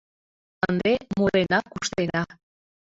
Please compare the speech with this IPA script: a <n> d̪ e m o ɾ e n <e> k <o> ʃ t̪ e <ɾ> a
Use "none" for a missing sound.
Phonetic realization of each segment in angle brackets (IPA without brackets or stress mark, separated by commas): n, a, u, ɾ